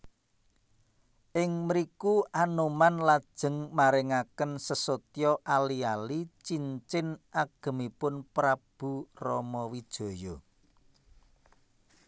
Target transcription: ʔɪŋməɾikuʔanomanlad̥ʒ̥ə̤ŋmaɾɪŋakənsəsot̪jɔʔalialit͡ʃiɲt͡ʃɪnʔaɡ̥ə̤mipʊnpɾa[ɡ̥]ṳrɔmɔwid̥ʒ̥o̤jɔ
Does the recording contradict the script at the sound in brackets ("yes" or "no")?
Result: yes